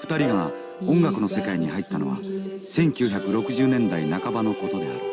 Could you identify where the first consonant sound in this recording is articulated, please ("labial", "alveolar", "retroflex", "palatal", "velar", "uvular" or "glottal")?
labial